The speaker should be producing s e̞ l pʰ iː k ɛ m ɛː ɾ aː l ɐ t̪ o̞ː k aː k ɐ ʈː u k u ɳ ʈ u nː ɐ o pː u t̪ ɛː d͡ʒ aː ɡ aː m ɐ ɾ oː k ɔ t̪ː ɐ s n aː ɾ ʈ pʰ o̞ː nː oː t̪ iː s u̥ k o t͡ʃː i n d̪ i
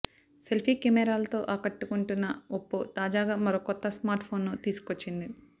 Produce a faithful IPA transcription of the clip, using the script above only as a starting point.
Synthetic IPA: s e̞ l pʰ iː k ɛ m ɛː ɾ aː l ɐ t̪ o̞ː ʔ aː k ɐ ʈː u k u ɳ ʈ u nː ɐ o pː u t̪ aː d͡ʒ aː ɡ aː m ɐ ɾ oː k ɔ t̪ː ɐ s m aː ɾ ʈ pʰ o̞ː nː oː t̪ iː s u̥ k o t͡ʃː i n d̪ i